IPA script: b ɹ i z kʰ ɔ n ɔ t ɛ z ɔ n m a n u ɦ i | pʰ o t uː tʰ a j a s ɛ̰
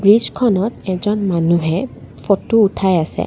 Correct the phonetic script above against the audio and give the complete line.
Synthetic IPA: b ɹ i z kʰ ɔ n ɔ t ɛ z ɔ n m a n u ɦ ɛ | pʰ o t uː tʰ a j a s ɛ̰